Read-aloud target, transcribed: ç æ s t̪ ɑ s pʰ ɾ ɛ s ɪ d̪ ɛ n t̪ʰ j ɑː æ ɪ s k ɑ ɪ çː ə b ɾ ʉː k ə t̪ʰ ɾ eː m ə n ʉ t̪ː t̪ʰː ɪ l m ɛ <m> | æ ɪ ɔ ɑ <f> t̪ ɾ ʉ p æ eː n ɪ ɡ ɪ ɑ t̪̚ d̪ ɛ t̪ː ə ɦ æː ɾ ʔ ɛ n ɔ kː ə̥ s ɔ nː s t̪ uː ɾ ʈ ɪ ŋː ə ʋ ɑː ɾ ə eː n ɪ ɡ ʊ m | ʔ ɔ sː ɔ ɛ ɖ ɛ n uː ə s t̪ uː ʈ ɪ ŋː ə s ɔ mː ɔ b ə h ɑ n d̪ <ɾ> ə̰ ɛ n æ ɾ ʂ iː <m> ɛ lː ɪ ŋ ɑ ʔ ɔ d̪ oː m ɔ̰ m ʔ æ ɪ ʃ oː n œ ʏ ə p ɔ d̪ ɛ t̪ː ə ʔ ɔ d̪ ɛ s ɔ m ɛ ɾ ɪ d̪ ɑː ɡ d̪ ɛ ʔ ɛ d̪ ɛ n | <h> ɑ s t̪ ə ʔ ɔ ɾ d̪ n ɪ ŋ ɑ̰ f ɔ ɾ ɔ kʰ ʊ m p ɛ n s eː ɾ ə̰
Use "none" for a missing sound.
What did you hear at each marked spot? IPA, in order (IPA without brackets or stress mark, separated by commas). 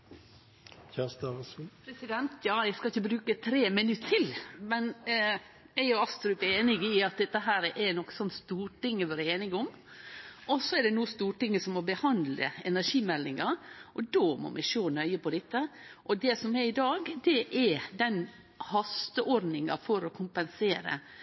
n, s, l, m, h